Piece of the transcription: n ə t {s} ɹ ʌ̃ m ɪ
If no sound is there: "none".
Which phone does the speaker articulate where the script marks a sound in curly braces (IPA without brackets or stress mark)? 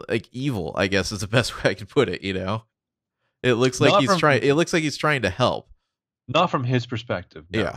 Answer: f